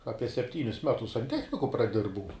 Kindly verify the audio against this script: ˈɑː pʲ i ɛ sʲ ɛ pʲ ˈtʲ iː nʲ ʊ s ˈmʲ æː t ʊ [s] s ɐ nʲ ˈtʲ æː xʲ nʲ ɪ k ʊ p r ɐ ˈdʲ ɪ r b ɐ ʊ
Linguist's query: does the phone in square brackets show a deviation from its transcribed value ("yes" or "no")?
no